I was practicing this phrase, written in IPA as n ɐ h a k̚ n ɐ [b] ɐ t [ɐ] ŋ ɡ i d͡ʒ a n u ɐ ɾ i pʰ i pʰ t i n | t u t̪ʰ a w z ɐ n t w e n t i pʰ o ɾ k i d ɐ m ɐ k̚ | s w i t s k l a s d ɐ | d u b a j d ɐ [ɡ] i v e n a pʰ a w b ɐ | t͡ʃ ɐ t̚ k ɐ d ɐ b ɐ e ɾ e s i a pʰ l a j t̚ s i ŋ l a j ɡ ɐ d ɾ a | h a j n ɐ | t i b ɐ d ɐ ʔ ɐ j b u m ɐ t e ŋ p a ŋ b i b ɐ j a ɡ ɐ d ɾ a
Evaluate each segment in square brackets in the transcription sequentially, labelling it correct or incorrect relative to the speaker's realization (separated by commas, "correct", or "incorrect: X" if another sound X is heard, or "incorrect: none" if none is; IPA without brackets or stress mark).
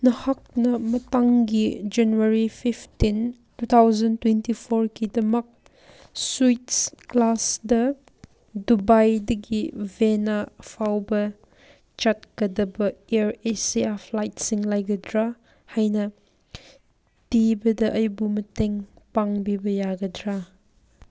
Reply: incorrect: m, incorrect: a, correct